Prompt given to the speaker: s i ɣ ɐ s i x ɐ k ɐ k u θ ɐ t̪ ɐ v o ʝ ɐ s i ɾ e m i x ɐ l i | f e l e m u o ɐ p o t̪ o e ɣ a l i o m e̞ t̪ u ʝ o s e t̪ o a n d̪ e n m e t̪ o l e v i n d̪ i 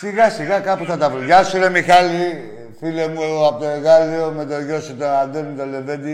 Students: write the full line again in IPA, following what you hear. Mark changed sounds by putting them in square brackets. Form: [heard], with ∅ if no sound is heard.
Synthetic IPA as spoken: s i ɣ ɐ s i [ɣ] ɐ k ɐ [p] u θ ɐ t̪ ɐ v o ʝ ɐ s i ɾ e m i x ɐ l i | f [i] l e m u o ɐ p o t̪ o e ɣ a l i o m e̞ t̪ [o] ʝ o s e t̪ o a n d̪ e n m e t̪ o l e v [e] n d̪ i